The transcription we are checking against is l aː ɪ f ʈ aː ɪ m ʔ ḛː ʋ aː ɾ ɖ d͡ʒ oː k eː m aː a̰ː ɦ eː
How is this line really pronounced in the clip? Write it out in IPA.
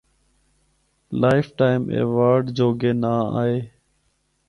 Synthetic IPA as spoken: l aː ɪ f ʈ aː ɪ m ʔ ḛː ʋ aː ɾ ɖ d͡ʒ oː ɡ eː n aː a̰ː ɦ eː